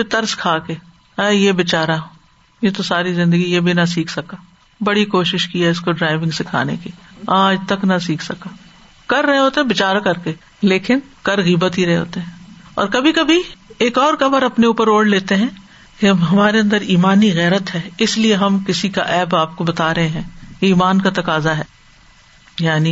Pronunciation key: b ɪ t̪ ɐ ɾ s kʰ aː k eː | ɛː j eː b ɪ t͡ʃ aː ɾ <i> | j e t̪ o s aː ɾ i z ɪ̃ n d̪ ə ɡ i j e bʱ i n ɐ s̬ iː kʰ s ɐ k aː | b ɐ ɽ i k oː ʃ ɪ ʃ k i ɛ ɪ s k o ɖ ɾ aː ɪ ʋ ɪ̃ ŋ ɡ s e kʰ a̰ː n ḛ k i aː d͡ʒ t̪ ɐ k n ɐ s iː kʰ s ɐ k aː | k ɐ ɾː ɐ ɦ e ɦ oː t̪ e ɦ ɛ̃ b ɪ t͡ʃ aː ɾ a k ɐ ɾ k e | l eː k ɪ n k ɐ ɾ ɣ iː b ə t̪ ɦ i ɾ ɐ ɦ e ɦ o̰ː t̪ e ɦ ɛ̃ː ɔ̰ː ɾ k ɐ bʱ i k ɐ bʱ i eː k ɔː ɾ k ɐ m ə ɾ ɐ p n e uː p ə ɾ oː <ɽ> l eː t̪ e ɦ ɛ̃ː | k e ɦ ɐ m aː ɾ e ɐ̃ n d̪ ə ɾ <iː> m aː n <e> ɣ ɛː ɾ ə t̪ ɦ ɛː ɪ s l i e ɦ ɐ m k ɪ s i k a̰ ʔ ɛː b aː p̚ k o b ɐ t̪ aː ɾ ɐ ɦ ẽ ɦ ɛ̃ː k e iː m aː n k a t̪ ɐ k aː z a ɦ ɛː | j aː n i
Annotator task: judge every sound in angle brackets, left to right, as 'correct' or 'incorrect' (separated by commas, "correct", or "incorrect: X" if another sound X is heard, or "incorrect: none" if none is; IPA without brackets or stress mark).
incorrect: a, correct, correct, incorrect: i